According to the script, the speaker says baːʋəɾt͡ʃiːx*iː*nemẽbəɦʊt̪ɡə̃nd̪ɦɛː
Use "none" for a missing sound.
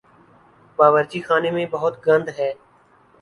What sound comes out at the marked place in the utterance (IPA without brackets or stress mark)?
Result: aː